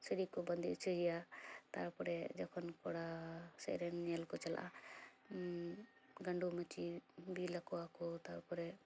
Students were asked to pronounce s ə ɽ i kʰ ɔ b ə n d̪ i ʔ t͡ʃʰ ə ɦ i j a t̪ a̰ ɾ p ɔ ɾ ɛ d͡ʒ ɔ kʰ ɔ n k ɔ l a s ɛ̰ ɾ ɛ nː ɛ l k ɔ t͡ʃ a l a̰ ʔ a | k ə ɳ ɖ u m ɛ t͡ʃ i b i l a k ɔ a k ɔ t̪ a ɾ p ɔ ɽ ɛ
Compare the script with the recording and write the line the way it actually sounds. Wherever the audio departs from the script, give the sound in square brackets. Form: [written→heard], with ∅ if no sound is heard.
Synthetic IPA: s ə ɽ i [kʰ→k] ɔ b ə n d̪ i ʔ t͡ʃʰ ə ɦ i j a t̪ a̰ ɾ p ɔ ɾ ɛ d͡ʒ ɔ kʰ ɔ n k ɔ [l→ɽ] a s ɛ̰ ɾ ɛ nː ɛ l k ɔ t͡ʃ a l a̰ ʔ a | [k→ɡ] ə ɳ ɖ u m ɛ t͡ʃ i b i l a k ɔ a k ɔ t̪ a ɾ p ɔ [ɽ→ɾ] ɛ